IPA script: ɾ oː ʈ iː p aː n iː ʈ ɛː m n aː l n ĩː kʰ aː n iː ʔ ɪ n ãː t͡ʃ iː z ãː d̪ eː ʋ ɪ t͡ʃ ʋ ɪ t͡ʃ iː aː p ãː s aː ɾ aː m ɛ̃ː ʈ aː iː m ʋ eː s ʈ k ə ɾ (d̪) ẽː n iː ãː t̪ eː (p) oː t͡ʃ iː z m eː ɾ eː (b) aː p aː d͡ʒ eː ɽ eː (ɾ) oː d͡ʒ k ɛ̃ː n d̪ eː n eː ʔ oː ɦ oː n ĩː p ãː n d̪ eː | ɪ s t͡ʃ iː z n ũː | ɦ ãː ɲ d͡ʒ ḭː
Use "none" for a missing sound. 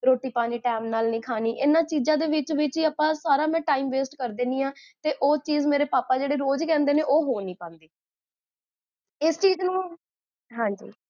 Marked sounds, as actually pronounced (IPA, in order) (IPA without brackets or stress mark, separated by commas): d̪, ʔ, p, ɾ